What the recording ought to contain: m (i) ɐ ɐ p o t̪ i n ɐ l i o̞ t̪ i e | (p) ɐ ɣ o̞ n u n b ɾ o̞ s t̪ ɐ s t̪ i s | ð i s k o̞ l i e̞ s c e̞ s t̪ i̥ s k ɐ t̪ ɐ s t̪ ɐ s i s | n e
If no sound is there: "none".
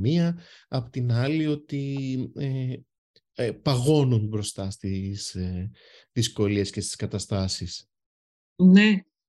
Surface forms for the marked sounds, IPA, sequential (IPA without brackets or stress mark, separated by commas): i, p